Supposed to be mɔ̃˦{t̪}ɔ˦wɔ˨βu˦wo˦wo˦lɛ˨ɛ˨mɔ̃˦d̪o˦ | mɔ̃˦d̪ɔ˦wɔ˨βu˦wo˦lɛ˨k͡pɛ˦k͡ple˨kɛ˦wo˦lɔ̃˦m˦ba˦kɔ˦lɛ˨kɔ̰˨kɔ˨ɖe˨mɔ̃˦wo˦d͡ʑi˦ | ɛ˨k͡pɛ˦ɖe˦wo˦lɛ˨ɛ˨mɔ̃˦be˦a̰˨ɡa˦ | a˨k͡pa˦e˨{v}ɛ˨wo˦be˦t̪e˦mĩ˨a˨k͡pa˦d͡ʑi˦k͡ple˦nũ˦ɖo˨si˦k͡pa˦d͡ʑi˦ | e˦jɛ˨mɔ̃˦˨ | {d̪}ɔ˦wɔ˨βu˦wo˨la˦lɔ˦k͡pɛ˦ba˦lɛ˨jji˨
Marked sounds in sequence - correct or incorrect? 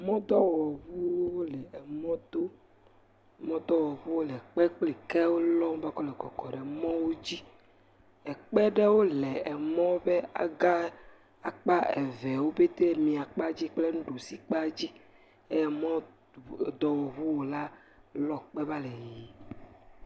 incorrect, correct, correct

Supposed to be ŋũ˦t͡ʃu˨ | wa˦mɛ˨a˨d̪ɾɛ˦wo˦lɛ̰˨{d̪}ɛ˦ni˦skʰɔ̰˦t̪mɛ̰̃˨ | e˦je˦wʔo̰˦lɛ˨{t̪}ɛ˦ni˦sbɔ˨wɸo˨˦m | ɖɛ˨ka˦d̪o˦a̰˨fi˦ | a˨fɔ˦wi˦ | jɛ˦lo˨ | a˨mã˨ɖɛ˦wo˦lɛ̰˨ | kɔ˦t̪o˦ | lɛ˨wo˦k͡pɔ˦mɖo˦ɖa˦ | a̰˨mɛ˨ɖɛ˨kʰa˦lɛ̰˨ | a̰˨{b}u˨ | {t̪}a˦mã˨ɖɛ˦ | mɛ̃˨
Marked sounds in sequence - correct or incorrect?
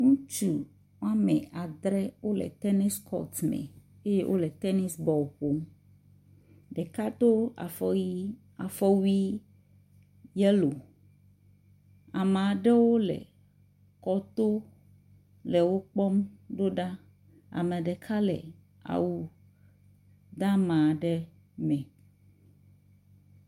incorrect, correct, incorrect, incorrect

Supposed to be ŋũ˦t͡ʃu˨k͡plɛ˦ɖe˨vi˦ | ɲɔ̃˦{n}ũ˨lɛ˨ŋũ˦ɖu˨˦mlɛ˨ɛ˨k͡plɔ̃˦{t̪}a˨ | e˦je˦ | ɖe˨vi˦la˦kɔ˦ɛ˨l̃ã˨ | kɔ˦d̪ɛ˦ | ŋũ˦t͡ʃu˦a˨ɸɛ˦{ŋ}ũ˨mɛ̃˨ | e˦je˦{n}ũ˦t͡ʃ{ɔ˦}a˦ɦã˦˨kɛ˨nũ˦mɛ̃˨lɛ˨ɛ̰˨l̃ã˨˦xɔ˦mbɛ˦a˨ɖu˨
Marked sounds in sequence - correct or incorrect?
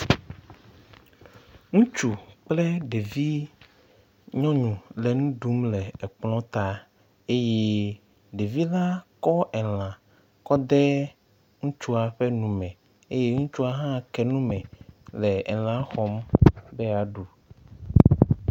incorrect, correct, incorrect, incorrect, incorrect

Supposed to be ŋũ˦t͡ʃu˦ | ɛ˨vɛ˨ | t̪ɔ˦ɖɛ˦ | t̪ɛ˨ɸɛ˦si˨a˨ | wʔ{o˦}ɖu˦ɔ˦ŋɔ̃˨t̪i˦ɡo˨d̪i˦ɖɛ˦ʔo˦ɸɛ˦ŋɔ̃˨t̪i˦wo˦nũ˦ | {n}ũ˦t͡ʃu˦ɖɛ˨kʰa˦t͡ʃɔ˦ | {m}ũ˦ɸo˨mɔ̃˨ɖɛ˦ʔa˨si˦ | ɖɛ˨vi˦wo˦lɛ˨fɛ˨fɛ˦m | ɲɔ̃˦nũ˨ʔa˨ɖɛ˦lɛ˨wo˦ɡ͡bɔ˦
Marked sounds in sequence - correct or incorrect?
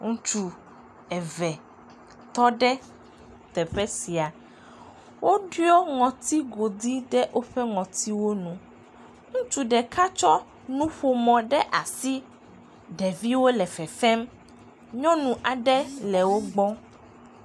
correct, incorrect, incorrect

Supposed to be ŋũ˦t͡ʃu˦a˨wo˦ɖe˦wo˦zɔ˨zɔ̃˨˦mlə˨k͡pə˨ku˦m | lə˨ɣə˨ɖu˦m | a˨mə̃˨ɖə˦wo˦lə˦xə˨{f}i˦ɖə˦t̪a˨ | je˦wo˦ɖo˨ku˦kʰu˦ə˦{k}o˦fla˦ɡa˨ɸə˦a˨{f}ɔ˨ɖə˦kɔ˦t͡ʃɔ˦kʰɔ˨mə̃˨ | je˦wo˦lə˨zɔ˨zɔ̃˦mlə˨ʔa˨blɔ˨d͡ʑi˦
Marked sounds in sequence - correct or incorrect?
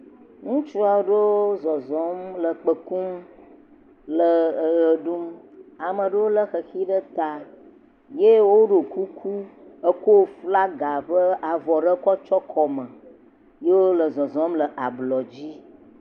incorrect, correct, incorrect

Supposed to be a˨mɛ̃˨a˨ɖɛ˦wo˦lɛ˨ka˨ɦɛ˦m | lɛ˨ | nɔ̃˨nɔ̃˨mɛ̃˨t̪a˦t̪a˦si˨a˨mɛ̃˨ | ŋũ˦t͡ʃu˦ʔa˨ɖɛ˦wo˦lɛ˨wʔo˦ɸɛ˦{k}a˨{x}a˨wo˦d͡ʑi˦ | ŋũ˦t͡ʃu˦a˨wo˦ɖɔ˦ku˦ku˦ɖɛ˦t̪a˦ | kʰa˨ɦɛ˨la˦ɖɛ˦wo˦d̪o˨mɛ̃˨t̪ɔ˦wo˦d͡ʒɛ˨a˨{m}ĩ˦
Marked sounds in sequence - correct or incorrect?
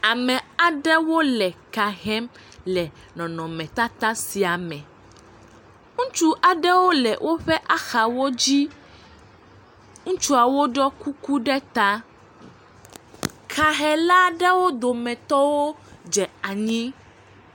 incorrect, correct, incorrect

